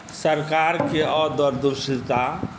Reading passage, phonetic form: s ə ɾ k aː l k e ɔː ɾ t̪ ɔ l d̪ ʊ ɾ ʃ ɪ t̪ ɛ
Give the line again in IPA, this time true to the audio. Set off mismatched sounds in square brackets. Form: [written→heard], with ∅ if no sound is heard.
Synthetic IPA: s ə ɾ k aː [l→ɾ] k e ɔː ɾ [t̪→d̪] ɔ [l→ɾ] d̪ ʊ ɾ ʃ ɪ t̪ [ɛ→a]